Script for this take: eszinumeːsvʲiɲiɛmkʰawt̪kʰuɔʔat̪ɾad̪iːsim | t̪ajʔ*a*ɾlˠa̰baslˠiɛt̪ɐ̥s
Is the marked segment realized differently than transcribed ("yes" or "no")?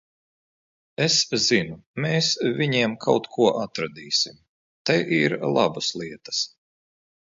yes